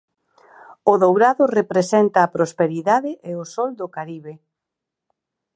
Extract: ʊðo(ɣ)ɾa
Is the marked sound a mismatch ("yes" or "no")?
yes